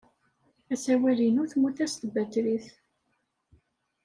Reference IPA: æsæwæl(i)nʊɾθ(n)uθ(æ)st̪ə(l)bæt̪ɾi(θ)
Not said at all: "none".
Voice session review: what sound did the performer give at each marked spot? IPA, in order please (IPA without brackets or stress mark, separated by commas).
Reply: i, m, æ, none, θ